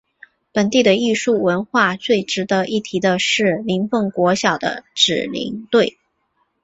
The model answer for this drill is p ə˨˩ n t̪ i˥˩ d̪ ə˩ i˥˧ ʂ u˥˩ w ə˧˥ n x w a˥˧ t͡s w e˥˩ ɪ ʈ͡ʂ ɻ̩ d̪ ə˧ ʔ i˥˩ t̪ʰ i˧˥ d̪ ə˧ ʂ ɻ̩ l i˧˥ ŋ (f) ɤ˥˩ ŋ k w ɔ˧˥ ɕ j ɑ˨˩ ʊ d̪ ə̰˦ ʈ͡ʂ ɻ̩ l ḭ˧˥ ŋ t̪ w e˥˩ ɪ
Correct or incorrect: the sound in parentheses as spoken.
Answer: correct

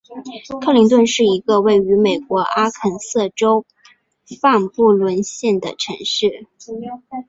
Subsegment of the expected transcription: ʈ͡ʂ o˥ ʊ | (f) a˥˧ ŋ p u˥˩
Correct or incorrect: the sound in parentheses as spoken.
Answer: correct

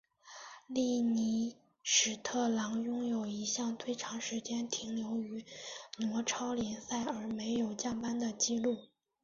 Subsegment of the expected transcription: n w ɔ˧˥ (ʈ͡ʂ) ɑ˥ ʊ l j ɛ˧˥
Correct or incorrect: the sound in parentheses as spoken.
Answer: incorrect: ʈ͡ʂʰ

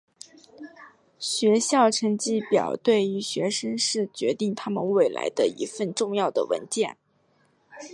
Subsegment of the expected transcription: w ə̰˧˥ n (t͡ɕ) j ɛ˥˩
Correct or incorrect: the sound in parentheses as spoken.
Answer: correct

